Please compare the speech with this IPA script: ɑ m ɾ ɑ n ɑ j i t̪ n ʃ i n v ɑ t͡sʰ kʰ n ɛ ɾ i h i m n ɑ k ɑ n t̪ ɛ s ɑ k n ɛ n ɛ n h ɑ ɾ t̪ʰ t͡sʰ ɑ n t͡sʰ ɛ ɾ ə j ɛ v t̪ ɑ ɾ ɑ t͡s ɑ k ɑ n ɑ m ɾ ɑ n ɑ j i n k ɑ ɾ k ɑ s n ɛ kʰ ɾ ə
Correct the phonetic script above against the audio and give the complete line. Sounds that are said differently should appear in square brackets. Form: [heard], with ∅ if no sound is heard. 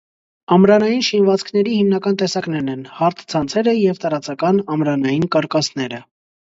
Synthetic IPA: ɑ m ɾ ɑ n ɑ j i [∅] n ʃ i n v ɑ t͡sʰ kʰ n ɛ ɾ i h i m n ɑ k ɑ n t̪ ɛ s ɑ k n ɛ n ɛ n h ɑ ɾ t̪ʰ t͡sʰ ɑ n t͡sʰ ɛ ɾ ə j ɛ v t̪ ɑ ɾ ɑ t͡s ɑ k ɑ n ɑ m ɾ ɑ n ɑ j i n k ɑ ɾ k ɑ s n ɛ [∅] ɾ ə